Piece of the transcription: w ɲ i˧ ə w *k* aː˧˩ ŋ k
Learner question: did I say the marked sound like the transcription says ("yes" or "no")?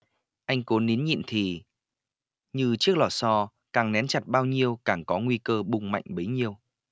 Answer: yes